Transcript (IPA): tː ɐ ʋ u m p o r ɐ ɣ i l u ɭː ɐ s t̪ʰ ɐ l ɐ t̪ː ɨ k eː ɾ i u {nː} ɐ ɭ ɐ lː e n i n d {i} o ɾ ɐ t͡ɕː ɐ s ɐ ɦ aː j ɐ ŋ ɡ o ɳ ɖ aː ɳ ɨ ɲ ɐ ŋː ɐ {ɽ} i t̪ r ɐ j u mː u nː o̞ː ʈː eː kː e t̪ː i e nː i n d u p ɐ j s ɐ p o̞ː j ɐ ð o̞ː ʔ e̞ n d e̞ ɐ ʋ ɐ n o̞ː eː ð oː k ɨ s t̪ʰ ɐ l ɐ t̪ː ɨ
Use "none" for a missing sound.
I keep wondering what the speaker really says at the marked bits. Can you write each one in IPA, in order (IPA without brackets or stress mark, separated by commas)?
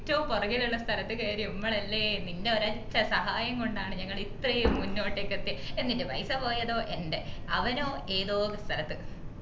mː, e, ɭ